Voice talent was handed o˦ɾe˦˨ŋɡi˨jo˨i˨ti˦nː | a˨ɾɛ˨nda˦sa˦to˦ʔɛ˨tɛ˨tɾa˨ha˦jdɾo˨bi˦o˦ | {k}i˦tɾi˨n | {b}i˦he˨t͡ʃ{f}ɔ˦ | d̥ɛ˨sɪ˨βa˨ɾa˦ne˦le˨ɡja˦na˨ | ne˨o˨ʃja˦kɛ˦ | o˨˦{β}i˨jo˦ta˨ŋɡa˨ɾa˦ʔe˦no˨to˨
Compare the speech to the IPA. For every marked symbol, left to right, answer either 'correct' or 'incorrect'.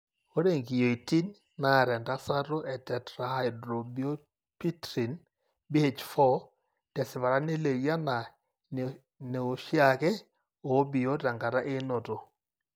incorrect, correct, correct, incorrect

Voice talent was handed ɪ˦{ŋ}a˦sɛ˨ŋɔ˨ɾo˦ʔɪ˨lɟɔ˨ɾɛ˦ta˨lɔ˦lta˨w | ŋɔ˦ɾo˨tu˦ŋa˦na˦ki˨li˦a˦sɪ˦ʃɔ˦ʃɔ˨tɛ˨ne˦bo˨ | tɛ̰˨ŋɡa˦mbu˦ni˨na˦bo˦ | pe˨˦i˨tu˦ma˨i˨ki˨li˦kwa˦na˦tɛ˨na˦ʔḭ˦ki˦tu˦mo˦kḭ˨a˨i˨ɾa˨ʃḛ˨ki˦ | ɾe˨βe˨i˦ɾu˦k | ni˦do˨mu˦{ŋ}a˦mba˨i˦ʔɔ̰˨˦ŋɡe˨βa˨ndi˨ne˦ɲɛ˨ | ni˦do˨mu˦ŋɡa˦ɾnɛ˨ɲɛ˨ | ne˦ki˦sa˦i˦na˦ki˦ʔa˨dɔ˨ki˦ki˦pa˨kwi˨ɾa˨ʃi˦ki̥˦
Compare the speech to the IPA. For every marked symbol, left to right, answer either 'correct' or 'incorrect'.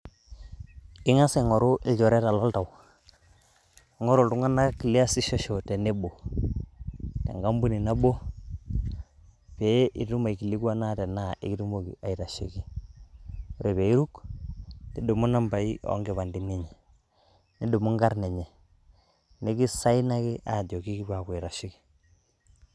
correct, incorrect

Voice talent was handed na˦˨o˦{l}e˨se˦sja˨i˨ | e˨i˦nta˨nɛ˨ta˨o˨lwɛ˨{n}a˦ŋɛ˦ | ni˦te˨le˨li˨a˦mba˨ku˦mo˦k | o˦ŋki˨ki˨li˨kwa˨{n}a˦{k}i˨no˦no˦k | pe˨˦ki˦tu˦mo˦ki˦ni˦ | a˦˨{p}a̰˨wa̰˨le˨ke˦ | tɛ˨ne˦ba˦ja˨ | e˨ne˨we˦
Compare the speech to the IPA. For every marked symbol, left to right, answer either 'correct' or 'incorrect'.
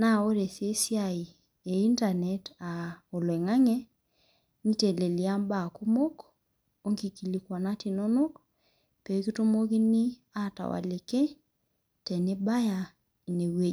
incorrect, incorrect, correct, incorrect, incorrect

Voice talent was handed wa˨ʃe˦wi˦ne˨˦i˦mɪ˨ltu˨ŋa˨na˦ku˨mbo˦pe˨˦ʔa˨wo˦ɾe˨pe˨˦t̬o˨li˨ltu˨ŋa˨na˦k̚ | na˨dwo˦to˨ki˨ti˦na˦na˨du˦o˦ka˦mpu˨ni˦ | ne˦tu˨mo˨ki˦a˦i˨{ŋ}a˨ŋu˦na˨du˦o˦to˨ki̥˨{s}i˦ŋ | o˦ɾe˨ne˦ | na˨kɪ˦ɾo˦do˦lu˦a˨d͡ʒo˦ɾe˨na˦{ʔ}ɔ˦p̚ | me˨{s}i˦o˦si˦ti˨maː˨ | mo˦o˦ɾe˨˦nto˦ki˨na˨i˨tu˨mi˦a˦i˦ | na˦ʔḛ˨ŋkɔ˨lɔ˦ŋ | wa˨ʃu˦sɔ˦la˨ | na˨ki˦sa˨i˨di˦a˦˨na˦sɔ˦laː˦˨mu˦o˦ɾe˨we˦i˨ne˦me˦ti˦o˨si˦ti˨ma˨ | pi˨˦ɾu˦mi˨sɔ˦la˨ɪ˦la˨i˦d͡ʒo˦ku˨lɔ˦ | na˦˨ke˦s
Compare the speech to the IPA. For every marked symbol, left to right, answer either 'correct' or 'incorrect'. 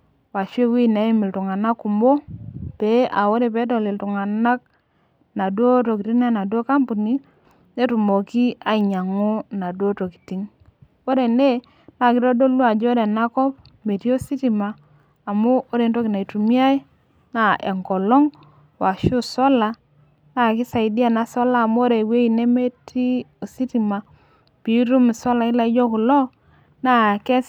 incorrect, incorrect, incorrect, incorrect

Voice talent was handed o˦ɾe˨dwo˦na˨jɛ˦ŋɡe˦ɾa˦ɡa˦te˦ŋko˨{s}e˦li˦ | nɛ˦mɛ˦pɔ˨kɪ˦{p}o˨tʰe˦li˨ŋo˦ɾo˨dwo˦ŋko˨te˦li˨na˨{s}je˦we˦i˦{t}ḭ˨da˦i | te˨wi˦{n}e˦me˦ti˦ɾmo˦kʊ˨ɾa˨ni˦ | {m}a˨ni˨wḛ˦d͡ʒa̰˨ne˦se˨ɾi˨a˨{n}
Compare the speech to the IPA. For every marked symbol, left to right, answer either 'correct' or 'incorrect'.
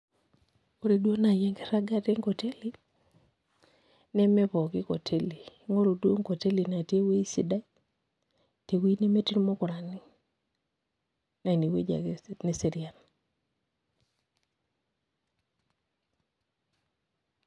incorrect, incorrect, incorrect, incorrect, correct, incorrect, correct

